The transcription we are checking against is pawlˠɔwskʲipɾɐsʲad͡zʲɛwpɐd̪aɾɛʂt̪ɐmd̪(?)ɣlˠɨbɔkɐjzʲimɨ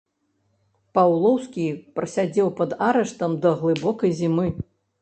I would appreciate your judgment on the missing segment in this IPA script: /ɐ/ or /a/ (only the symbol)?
ɐ